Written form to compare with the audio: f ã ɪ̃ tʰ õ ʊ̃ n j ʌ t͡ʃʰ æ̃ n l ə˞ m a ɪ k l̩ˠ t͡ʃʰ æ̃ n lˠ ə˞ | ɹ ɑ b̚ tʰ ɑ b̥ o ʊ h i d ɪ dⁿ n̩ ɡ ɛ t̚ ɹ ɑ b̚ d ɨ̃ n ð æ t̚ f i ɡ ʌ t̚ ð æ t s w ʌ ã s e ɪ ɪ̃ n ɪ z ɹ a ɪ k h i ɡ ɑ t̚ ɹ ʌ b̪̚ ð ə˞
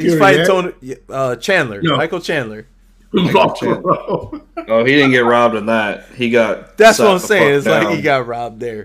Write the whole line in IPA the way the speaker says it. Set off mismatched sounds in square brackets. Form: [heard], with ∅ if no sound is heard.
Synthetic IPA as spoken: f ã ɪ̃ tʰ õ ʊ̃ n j ʌ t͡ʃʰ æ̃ n l ə˞ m a ɪ k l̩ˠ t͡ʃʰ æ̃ n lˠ ə˞ | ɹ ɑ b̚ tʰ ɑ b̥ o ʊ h i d ɪ dⁿ n̩ ɡ ɛ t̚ ɹ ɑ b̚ d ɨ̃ n ð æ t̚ [h] i ɡ [ɑ] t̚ ð æ t s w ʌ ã s e ɪ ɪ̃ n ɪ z [l] a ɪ k h i ɡ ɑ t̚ ɹ [ɑ] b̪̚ ð ə˞